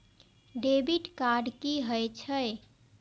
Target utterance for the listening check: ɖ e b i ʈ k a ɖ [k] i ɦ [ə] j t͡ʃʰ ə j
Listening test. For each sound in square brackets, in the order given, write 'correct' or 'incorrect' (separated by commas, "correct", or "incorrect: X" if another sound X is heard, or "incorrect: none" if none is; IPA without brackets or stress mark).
correct, correct